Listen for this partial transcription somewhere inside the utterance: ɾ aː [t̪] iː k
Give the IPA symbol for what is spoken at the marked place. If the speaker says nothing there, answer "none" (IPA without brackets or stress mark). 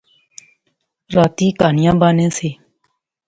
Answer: t̪